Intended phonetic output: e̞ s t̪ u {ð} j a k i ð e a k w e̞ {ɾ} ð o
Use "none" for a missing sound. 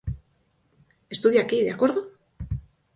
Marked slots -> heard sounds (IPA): ð, ɾ

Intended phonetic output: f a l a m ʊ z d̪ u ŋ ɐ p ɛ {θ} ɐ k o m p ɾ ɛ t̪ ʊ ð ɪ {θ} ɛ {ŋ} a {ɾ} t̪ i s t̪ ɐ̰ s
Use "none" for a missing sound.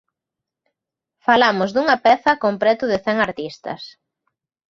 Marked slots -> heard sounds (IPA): θ, θ, ŋ, ɾ

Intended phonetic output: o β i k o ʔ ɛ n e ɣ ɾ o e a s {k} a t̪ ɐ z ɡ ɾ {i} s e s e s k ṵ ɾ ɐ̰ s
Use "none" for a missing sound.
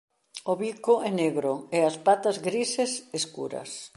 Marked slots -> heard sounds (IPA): p, i

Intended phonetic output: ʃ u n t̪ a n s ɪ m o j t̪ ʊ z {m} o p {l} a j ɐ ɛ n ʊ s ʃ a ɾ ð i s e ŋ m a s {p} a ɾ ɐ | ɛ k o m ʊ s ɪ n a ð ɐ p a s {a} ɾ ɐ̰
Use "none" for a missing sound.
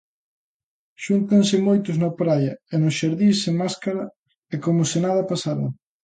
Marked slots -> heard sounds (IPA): n, ɾ, k, a

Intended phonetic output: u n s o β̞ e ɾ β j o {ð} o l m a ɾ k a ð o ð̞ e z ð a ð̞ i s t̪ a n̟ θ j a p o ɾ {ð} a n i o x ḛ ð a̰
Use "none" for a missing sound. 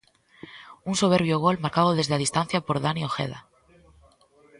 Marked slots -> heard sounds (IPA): ɣ, ð

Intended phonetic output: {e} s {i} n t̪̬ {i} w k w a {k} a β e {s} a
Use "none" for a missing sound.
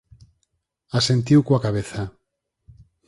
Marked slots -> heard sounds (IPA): a, e, i, k, θ

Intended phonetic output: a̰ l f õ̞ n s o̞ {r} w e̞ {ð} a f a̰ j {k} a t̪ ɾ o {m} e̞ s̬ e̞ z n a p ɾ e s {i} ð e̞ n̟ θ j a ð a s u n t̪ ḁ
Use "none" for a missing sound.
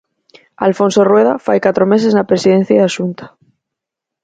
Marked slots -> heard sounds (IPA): r, ð, k, m, i

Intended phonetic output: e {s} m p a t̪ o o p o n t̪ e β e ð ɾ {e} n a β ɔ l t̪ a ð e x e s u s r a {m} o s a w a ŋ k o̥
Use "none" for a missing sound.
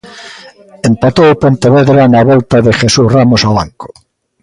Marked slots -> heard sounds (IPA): none, a, m

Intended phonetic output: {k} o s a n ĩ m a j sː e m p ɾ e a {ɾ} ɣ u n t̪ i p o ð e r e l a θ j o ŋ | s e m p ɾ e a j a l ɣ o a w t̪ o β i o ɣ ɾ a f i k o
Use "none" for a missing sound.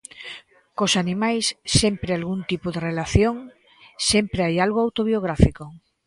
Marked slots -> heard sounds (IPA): k, l

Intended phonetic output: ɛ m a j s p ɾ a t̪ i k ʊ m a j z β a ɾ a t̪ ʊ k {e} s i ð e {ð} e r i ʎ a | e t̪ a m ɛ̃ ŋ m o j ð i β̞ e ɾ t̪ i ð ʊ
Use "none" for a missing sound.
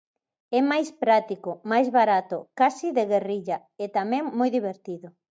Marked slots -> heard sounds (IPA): a, ɣ

